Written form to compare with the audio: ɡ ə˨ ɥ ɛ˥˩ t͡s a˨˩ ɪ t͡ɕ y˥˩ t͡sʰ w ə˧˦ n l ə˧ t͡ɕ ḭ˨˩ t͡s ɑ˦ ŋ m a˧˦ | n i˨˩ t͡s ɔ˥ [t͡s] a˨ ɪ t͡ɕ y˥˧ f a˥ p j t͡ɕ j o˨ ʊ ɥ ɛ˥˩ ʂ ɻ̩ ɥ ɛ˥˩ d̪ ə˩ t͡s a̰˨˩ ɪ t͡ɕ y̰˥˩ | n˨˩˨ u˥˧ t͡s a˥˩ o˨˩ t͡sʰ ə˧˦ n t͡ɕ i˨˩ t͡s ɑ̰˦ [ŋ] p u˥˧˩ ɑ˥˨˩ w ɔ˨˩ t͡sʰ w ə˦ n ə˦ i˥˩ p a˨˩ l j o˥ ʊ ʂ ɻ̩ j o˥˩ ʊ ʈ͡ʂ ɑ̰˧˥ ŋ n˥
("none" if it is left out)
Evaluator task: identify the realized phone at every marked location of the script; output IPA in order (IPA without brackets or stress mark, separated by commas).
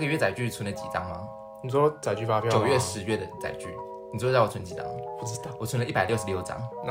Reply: t͡s, ŋ